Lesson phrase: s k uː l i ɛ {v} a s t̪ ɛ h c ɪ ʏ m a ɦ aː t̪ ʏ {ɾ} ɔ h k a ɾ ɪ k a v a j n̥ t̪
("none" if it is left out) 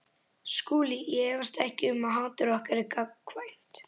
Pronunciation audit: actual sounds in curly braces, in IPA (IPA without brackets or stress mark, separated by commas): v, ɾ